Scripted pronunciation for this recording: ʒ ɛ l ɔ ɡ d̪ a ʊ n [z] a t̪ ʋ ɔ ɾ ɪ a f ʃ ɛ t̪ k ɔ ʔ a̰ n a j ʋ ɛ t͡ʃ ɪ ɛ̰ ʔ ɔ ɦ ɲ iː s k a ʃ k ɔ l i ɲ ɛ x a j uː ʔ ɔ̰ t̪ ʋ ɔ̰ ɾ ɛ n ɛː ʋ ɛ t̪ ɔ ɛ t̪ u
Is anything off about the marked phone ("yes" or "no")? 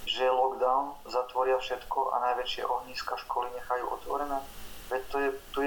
no